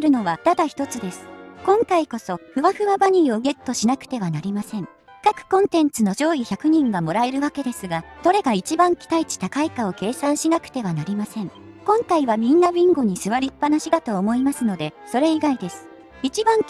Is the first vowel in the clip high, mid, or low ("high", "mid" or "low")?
high